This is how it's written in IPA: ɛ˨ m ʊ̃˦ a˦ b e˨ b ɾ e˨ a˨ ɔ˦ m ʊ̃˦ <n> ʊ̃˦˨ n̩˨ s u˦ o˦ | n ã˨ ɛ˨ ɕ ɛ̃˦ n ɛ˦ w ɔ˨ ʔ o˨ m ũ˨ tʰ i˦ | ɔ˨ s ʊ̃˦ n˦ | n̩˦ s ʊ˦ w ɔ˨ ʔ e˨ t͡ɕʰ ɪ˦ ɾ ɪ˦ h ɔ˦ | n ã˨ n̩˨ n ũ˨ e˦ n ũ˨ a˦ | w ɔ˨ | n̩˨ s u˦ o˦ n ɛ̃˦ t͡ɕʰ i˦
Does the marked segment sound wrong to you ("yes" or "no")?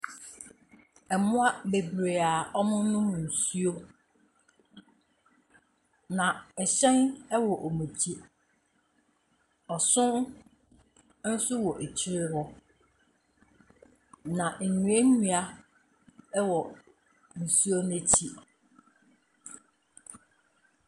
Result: no